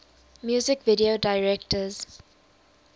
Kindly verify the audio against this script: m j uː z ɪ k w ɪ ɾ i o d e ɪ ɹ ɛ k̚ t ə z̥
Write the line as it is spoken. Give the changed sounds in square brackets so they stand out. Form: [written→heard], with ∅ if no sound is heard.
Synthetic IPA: m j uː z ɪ k [w→v] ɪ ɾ i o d [e→a] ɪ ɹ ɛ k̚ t ə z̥